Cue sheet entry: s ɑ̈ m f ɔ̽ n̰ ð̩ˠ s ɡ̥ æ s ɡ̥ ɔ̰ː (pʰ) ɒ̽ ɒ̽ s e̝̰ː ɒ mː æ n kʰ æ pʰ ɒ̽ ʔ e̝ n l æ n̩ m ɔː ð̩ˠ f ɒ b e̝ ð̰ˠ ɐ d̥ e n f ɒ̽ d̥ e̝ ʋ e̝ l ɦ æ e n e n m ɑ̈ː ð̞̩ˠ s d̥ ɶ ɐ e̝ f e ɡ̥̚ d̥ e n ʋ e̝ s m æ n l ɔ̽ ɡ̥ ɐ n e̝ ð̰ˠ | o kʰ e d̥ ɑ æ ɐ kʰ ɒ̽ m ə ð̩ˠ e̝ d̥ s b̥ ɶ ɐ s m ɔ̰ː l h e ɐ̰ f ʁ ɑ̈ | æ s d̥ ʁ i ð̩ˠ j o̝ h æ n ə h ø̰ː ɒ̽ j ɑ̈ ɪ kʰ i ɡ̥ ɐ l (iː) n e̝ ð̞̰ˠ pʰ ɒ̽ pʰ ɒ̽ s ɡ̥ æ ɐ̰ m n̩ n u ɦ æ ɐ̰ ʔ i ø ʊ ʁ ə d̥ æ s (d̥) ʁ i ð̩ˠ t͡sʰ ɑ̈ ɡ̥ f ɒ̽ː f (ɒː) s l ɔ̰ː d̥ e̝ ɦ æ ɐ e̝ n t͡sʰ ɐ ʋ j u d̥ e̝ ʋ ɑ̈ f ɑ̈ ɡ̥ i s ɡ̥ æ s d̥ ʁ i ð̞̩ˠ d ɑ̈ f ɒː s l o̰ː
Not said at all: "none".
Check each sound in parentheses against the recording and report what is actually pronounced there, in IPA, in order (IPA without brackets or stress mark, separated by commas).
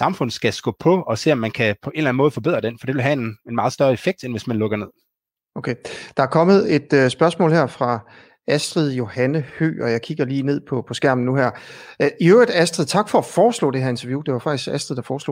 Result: pʰ, iː, d̥, ɒː